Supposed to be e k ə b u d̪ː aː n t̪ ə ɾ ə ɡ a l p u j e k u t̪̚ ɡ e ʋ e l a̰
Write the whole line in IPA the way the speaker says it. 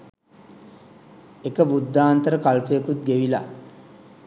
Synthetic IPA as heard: e k ə b u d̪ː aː n t̪ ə ɾ ə k a l p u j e k u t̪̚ ɡ e ʋ i l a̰